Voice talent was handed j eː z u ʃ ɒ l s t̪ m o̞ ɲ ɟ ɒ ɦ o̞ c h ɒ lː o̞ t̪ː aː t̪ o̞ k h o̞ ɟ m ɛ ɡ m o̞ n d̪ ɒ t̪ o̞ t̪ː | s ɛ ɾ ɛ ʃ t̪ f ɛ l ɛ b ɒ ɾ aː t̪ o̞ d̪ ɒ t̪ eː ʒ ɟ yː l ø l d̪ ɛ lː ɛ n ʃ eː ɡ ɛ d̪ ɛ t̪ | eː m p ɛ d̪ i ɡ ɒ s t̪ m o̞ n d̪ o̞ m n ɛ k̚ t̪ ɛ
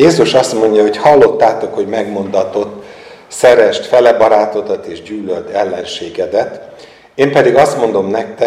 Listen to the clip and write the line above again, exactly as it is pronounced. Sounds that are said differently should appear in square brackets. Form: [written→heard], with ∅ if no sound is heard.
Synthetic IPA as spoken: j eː z u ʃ ɒ [l→∅] s t̪ m o̞ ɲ ɟ ɒ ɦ o̞ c h ɒ lː o̞ t̪ː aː t̪ o̞ k h o̞ ɟ m ɛ ɡ m o̞ n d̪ ɒ t̪ o̞ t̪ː | s ɛ ɾ ɛ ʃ t̪ f ɛ l ɛ b ɒ ɾ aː t̪ o̞ d̪ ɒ t̪ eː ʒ ɟ yː l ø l d̪ ɛ lː ɛ n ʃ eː ɡ ɛ d̪ ɛ t̪ | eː m p ɛ d̪ i ɡ ɒ s t̪ m o̞ n d̪ o̞ m n ɛ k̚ t̪ ɛ